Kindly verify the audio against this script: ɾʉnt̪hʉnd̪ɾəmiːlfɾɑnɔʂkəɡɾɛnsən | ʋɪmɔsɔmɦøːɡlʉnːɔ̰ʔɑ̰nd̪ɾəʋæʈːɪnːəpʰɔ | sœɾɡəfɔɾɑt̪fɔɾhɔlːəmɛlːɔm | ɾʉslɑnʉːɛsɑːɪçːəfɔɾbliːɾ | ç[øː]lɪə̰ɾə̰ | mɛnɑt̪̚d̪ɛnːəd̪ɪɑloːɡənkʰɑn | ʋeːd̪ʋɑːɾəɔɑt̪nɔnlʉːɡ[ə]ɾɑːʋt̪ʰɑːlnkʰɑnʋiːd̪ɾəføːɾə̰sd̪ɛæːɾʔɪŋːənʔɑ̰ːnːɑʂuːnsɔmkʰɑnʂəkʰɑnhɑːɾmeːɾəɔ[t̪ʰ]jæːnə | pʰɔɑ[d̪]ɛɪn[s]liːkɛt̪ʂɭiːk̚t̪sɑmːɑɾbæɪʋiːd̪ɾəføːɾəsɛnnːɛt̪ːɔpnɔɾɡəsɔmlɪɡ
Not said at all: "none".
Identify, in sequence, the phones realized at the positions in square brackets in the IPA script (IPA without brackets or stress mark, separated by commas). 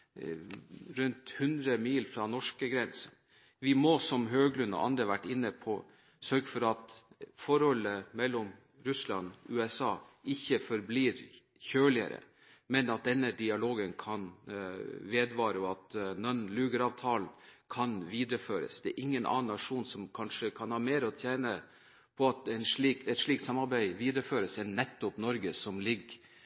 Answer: øː, ə, t̪ʰ, t̪, ʂ